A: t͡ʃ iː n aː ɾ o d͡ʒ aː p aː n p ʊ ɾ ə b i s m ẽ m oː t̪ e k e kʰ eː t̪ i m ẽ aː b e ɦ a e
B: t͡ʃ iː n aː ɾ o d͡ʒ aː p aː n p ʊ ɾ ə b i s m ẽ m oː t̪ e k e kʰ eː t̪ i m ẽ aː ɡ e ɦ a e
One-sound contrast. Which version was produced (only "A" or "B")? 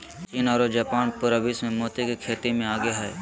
B